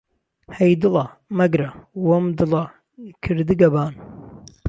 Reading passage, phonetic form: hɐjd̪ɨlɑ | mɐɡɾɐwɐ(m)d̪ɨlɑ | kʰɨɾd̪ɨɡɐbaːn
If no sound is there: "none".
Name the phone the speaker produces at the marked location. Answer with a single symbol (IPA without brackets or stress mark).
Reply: m